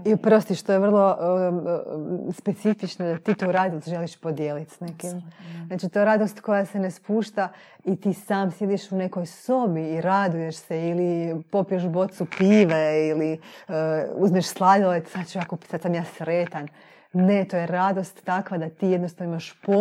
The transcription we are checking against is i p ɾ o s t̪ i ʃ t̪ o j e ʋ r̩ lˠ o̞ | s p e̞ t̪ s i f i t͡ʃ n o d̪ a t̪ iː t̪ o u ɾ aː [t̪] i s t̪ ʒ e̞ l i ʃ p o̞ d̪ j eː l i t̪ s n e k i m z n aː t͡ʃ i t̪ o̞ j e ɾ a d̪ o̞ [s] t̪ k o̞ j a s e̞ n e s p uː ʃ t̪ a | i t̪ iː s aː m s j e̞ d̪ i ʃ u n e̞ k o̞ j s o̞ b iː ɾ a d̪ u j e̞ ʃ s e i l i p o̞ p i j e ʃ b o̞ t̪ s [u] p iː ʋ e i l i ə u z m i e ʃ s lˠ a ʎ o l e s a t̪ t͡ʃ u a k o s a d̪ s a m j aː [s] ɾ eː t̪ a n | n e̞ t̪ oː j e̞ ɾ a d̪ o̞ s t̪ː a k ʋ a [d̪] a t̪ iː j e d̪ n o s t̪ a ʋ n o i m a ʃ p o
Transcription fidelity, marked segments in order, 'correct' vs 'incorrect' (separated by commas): incorrect, correct, correct, correct, correct